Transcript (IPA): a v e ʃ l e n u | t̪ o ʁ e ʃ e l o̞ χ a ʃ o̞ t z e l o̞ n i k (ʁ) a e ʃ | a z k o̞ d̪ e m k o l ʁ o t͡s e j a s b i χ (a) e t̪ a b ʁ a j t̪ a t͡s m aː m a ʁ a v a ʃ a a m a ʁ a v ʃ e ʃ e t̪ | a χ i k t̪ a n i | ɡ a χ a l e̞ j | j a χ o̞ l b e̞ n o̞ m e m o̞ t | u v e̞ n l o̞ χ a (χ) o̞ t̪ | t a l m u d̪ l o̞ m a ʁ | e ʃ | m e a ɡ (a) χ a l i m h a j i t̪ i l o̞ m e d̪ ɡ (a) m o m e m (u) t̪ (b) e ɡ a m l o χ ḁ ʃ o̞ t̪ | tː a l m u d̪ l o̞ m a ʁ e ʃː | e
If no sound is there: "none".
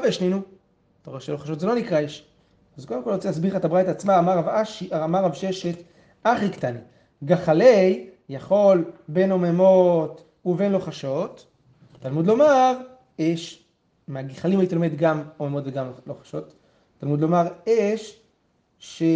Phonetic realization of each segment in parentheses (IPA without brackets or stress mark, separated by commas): ʁ, a, ʃ, i, a, o, v